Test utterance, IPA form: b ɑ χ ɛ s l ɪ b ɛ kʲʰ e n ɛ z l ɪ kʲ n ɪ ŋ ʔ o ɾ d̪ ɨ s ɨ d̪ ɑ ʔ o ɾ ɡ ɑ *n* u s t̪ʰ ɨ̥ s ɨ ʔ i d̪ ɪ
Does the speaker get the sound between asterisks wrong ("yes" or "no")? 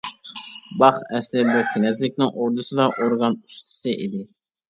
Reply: no